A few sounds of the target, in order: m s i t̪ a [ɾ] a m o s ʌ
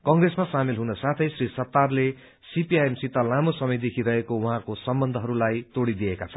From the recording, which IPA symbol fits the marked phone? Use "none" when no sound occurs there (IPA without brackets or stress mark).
l